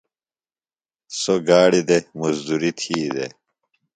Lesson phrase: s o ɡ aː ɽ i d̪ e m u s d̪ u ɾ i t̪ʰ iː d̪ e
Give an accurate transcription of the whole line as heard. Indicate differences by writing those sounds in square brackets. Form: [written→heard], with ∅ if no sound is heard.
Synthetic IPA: s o ɡ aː ɽ i d̪ e m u [s→z] d̪ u ɾ i t̪ʰ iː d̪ e